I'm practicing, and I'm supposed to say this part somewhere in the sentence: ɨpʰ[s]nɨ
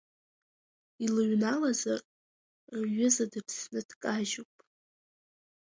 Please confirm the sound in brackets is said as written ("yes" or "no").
yes